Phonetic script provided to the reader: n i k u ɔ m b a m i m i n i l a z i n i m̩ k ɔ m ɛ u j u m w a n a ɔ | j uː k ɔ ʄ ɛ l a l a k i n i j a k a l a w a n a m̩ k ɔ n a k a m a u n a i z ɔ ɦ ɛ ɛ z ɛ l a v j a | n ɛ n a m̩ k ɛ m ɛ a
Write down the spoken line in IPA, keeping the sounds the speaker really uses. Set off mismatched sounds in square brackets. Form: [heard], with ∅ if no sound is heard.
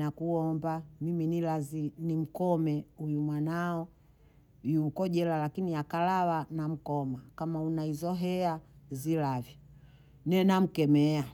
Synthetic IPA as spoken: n [a] k u ɔ m b a m i m i n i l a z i n i m̩ k ɔ m ɛ u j u m w a n a ɔ | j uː k ɔ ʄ ɛ l a l a k i n i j a k a l a w a n a m̩ k ɔ [m] a k a m a u n a i z ɔ ɦ ɛ [a] z [i] l a v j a | n ɛ n a m̩ k ɛ m ɛ a